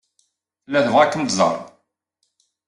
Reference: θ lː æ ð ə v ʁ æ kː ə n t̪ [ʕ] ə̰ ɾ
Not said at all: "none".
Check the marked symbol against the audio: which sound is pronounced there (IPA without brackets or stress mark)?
z